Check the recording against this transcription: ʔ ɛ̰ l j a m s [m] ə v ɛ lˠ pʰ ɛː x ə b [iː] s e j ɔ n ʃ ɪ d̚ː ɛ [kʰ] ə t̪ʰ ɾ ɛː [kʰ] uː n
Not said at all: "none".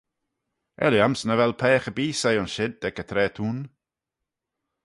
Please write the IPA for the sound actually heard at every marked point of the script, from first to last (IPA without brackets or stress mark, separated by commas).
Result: n, iː, k, tʰ